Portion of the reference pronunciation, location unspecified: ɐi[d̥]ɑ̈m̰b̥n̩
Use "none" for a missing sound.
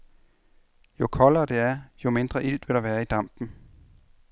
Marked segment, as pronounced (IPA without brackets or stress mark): d̥